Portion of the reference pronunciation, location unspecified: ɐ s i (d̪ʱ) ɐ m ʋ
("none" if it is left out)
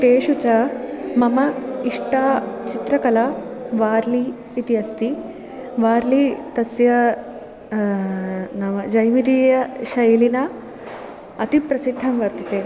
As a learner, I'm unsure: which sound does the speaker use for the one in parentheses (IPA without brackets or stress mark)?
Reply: d̪ʱː